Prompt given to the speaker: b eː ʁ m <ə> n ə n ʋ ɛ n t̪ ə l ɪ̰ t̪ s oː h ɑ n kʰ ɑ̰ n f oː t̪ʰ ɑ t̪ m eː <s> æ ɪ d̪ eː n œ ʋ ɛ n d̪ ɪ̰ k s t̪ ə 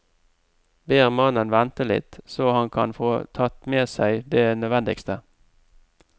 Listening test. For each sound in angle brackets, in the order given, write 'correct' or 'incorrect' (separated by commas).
incorrect, correct